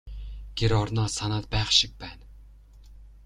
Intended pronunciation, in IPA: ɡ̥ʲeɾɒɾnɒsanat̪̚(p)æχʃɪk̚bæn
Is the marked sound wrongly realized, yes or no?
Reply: yes